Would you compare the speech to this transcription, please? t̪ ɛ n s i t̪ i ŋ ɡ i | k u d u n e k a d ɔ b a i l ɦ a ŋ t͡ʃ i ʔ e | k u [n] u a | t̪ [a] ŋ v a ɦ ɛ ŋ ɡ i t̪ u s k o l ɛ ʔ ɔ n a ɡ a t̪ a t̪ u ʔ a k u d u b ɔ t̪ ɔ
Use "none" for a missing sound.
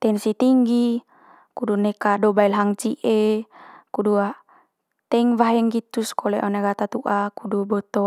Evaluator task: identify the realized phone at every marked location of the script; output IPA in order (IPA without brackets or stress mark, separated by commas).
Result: d, ɛ